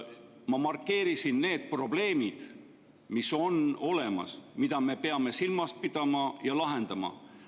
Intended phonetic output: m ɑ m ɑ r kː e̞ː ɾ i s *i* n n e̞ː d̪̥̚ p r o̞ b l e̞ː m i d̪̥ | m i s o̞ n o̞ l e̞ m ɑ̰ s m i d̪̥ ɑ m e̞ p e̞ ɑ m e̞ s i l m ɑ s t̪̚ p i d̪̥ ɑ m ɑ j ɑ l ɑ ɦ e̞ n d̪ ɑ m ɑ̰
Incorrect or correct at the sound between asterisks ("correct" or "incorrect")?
correct